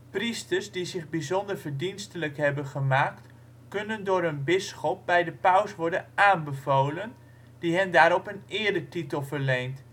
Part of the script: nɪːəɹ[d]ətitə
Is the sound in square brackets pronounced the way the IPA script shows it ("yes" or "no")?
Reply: yes